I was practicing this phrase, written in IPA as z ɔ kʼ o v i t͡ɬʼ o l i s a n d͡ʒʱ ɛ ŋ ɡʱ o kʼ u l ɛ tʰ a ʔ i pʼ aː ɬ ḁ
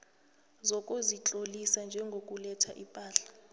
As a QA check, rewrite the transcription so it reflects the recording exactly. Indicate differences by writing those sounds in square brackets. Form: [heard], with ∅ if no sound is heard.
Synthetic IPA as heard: z ɔ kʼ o [z] i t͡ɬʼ o l i s a n d͡ʒʱ ɛ ŋ ɡʱ o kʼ u l ɛ tʰ a ʔ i pʼ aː ɬ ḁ